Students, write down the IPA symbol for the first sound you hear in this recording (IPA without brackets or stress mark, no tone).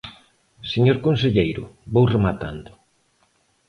s